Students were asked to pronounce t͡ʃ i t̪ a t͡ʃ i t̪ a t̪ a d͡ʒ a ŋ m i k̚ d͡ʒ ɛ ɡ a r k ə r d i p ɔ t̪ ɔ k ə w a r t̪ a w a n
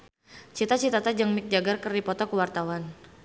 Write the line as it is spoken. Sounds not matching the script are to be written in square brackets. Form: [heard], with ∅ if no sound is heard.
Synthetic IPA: t͡ʃ i t̪ a t͡ʃ i t̪ a t̪ a d͡ʒ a ŋ m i k̚ d͡ʒ [a] ɡ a r k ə r d i p ɔ t̪ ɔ k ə w a r t̪ a w a n